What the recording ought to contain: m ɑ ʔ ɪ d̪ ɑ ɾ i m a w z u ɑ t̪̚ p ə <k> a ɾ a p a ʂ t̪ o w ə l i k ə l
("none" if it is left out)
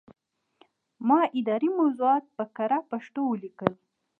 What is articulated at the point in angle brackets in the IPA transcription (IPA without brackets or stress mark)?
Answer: k